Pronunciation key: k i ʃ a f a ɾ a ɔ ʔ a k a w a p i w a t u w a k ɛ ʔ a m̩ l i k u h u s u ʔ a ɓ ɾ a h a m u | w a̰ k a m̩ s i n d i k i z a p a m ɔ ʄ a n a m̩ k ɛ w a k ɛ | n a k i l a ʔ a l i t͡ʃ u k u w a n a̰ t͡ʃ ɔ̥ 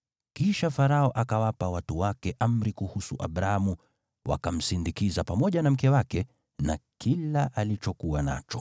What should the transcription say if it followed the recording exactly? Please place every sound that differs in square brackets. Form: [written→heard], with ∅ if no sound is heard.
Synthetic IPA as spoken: k i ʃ a f a ɾ a ɔ ʔ a k a w a p [i→a] w a t u w a k ɛ ʔ a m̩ [l→ɾ] i k u h u s u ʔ a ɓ ɾ a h a m u | w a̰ k a m̩ s i n d i k i z a p a m ɔ ʄ a n a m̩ k ɛ w a k ɛ | n a k i l a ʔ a l i t͡ʃ [u→ɔ] k u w a n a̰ t͡ʃ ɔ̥